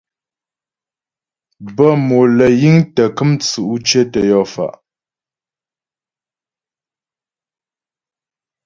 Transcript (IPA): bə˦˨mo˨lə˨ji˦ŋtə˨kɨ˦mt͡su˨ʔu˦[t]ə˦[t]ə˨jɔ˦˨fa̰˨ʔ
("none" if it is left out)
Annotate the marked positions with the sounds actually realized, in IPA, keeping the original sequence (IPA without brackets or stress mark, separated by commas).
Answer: t͡ʃ, t